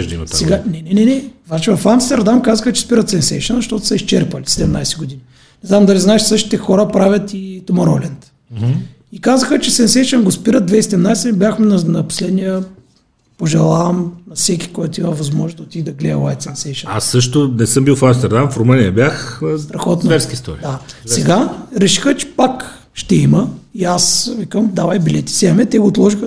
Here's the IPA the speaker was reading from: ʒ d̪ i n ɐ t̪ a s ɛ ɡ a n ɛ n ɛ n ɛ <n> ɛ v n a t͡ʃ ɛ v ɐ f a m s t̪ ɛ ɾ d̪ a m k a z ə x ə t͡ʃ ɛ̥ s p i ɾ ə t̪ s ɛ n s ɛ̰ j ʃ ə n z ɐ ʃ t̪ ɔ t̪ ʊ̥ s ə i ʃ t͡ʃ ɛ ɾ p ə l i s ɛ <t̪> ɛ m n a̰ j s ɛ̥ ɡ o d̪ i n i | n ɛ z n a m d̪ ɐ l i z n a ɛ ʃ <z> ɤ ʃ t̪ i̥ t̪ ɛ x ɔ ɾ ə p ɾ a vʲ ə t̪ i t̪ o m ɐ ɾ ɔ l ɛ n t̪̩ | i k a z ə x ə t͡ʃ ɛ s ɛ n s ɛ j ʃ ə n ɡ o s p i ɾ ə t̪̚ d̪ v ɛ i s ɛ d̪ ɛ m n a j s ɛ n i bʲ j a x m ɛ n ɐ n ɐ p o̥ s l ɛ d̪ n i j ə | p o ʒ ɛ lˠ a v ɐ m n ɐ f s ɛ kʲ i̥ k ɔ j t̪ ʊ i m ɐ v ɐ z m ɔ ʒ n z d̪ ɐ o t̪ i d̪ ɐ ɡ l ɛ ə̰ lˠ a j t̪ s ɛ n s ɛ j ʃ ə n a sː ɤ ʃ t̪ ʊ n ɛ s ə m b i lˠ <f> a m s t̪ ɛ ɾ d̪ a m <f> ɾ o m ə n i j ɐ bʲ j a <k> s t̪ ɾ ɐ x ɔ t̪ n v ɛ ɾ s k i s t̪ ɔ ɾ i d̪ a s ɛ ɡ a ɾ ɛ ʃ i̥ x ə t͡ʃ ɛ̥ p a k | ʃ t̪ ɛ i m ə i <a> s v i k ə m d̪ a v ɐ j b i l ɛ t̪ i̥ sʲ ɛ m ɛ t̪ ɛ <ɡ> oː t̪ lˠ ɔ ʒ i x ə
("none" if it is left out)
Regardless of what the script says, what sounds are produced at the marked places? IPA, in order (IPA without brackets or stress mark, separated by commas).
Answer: n, d̪, s, f, f, x, a, ɡ